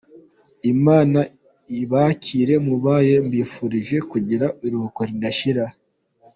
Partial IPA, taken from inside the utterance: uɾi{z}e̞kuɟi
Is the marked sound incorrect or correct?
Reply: incorrect